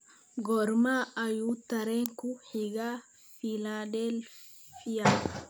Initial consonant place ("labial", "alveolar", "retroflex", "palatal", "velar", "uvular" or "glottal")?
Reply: velar